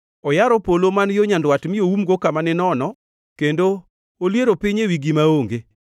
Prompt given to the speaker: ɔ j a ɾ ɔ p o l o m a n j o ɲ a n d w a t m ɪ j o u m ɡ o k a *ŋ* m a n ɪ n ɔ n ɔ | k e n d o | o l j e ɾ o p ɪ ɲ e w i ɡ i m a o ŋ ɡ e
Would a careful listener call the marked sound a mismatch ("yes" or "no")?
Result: yes